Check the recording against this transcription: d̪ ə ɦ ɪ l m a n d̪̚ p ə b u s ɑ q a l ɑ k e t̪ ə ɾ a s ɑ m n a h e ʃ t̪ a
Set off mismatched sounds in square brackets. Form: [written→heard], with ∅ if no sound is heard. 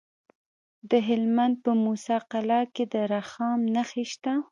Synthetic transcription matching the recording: d̪ ə ɦ ɪ l m a n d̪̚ p ə [b→m] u s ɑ q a l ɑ k e [t̪→d̪] ə ɾ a [s→x] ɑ m n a [h→x] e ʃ t̪ a